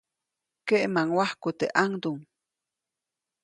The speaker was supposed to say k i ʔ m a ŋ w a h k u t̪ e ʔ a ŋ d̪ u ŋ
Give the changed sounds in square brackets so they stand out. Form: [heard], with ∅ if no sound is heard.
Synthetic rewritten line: k [e] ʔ m a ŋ w a h k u t̪ e ʔ a ŋ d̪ u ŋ

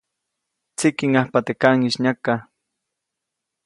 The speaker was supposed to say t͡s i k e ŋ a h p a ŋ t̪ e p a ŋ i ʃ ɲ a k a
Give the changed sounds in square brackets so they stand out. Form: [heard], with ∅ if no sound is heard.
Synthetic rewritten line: t͡s i k [i] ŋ a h p a [∅] t̪ e [k] a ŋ i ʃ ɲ a k a

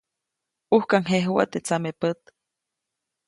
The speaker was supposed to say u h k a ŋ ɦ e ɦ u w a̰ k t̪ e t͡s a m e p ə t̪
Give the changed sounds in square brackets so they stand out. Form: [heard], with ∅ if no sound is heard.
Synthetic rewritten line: u h k a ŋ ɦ e ɦ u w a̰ [∅] t̪ e t͡s a m e p ə t̪

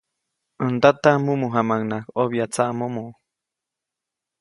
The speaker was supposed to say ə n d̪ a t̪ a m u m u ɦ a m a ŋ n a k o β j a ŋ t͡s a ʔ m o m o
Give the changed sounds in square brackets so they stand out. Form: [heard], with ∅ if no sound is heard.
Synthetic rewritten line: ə n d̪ a t̪ a m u m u ɦ a m a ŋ n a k o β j a [∅] t͡s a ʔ m o m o

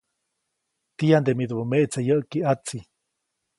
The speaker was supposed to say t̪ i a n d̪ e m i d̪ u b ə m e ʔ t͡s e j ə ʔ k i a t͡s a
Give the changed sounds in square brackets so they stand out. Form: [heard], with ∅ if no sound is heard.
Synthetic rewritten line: t̪ i a n d̪ e m i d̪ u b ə m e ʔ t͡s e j ə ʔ k i a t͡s [i]

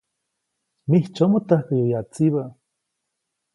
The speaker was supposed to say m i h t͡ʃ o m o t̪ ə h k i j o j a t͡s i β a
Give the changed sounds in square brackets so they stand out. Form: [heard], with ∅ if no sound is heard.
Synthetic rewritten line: m i h t͡ʃ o m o t̪ [a] h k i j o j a t͡s i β a

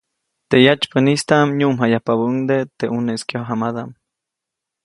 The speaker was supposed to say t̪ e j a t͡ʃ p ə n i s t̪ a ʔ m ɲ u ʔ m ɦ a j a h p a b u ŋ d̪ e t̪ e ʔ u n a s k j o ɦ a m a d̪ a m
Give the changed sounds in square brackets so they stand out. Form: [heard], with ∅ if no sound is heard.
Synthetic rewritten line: t̪ e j a t͡ʃ p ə n i s t̪ a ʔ m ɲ u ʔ m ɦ a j a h p a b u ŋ d̪ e t̪ e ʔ u n [e] s k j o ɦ a m a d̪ a m

